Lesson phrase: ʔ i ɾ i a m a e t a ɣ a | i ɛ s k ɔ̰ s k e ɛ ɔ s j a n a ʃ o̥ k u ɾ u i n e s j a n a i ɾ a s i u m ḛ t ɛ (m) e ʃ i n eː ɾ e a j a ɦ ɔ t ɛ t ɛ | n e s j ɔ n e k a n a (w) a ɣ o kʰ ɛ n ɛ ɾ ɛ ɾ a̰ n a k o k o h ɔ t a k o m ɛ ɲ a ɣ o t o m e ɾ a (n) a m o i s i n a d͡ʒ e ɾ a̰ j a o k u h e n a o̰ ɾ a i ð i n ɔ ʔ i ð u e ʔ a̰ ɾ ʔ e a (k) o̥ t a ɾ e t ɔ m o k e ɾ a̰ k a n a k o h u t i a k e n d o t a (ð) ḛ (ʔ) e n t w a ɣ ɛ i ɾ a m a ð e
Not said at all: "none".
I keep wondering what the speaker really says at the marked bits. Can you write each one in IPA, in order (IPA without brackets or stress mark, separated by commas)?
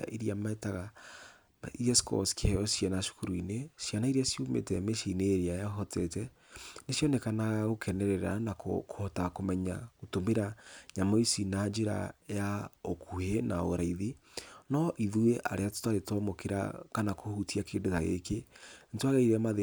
m, ɣ, ɲ, t, ɣ, k